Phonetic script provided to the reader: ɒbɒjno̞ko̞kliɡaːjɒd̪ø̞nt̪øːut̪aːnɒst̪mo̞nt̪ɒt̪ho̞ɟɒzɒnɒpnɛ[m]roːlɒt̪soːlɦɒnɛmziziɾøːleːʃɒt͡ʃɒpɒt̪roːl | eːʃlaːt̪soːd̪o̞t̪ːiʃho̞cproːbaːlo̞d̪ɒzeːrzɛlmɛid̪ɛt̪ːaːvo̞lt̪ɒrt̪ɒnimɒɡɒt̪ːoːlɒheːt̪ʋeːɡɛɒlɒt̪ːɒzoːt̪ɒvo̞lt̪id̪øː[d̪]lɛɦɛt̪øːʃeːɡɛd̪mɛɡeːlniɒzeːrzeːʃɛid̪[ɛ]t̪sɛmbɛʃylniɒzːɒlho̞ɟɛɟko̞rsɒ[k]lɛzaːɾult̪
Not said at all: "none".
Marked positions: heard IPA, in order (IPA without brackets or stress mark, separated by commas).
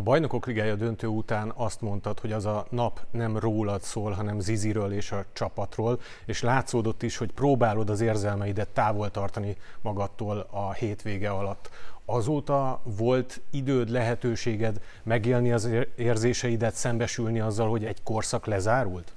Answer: m, d̪, ɛ, k